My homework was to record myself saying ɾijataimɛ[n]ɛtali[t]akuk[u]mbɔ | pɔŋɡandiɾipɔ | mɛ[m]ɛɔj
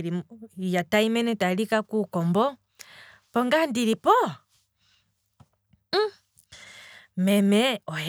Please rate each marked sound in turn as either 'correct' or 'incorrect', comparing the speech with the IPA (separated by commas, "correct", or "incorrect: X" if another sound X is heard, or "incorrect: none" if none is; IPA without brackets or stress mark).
correct, incorrect: k, incorrect: ɔ, correct